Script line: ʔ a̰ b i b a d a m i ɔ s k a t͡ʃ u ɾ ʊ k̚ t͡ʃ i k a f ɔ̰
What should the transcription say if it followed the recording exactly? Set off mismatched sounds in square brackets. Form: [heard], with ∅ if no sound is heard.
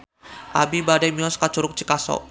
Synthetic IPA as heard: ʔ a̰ b i b a d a m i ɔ s k a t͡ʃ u ɾ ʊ k̚ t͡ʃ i k a [s] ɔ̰